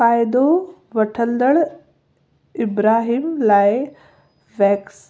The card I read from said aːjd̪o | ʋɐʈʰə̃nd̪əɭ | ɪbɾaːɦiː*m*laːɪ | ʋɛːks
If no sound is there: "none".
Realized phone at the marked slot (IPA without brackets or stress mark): m